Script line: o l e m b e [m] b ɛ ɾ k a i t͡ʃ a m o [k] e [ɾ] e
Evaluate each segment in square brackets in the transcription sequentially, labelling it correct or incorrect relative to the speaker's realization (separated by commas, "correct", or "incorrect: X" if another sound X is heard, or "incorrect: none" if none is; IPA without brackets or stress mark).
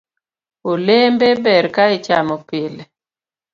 incorrect: none, incorrect: p, incorrect: l